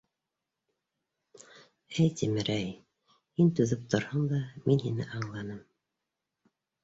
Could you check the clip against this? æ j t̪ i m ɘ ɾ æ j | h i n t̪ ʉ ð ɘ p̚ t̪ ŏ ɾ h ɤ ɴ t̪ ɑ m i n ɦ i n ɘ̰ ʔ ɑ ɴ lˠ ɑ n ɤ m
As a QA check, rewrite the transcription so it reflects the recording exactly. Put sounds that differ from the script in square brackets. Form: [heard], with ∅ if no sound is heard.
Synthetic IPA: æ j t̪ i m ɘ ɾ æ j | h i n t̪ ʉ ð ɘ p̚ t̪ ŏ ɾ h ɤ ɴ [d̪] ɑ m i n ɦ i n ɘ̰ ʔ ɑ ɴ lˠ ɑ n ɤ m